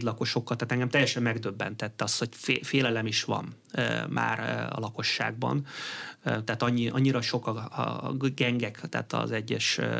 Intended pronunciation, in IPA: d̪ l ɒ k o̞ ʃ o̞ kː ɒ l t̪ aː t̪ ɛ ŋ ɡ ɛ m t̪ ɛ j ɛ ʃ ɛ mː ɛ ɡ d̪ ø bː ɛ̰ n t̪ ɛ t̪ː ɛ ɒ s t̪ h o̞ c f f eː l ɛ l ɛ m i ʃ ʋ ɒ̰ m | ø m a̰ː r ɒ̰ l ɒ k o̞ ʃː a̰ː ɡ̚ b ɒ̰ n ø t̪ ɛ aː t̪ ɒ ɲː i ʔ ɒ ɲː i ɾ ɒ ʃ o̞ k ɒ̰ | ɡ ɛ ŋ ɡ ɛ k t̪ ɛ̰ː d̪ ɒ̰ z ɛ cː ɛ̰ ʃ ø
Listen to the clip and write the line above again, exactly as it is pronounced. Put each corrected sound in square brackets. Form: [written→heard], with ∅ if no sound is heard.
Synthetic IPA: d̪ l ɒ k o̞ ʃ o̞ kː ɒ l t̪ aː t̪ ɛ ŋ ɡ ɛ m t̪ ɛ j ɛ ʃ ɛ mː ɛ ɡ d̪ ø bː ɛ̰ n t̪ ɛ t̪ː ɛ ɒ s t̪ h o̞ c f f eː l ɛ l ɛ m i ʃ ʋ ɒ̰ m | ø m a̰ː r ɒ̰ l ɒ k o̞ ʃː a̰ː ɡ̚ b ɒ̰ n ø t̪ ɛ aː t̪ ɒ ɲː i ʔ ɒ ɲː i ɾ ɒ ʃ o̞ k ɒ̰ | ɡ ɛ ŋ ɡ ɛ k t̪ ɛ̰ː [d̪→t̪] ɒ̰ z ɛ [cː→ɟː] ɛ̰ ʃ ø